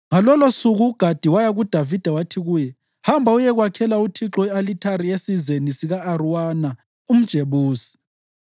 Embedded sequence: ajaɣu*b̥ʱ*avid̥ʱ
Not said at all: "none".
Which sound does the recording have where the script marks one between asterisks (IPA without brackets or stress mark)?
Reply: d̥ʱ